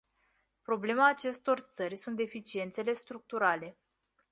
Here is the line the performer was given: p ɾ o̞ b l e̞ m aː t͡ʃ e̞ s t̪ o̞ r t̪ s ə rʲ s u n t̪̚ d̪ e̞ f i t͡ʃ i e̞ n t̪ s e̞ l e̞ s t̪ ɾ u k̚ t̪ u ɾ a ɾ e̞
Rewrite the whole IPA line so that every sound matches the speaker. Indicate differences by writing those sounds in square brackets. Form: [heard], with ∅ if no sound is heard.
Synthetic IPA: p ɾ o̞ b l e̞ m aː t͡ʃ e̞ s t̪ o̞ r t̪ s ə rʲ s u n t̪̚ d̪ e̞ f i t͡ʃ i e̞ n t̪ s e̞ l e̞ s t̪ ɾ u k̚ t̪ u ɾ a [l] e̞